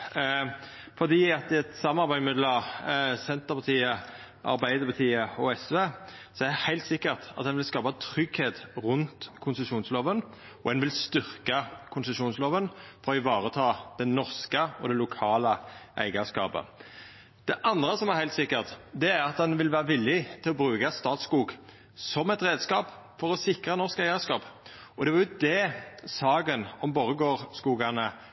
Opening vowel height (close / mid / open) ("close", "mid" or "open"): mid